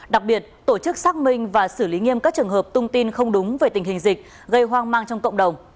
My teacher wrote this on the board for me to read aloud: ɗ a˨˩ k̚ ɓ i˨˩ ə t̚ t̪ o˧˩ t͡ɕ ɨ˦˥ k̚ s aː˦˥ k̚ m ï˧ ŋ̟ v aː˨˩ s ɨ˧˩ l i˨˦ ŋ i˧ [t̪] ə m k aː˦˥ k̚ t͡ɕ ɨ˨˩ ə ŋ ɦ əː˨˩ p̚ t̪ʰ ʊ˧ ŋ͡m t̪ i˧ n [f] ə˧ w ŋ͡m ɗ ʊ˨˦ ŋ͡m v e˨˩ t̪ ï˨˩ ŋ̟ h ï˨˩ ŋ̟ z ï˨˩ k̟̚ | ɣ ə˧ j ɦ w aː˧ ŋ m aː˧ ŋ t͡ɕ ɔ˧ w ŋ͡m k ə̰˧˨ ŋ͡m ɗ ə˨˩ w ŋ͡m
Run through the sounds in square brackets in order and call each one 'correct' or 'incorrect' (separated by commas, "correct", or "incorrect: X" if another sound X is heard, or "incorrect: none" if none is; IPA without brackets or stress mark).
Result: incorrect: none, incorrect: x